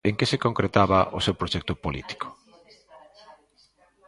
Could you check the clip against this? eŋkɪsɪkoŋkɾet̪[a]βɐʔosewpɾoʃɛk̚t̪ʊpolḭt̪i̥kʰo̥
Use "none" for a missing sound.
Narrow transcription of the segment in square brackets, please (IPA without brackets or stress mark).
a